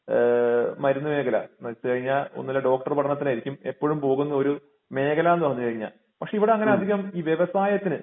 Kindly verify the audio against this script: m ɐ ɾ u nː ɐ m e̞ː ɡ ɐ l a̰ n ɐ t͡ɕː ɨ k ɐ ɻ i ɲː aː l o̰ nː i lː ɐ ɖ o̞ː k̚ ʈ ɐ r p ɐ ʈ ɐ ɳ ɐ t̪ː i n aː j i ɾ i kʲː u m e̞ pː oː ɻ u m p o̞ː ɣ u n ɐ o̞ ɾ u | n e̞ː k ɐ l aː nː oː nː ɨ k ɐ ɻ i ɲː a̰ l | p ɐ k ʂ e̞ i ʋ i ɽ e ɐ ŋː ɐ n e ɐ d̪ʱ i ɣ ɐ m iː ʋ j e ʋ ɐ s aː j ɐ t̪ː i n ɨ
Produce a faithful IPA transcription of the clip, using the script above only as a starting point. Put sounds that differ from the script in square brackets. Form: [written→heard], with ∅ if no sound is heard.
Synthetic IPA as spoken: m ɐ ɾ u nː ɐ m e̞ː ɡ ɐ l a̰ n ɐ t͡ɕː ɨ k ɐ ɻ i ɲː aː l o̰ nː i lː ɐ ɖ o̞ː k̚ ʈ ɐ r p ɐ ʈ ɐ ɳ ɐ t̪ː i n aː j i ɾ i kʲː u m e̞ pː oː ɻ u m p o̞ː ɣ u [n→nː] ɐ o̞ ɾ u | [n→m] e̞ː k ɐ l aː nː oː nː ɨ k ɐ ɻ i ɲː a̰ l | p ɐ k ʂ e̞ i ʋ i ɽ e ɐ ŋː ɐ n e ɐ d̪ʱ i ɣ ɐ m iː ʋ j e ʋ ɐ s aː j ɐ t̪ː i n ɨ